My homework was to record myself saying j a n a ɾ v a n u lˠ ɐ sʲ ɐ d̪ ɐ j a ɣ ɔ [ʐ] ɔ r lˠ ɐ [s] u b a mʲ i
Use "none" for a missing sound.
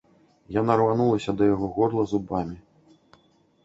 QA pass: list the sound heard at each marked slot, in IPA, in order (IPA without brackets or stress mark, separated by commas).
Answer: ɣ, z